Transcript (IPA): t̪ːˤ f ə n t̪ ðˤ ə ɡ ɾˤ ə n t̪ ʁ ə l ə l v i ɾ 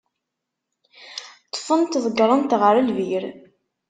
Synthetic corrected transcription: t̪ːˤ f ə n t̪ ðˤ ə ɡ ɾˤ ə n t̪ ʁ ə ɾ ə l v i ɾ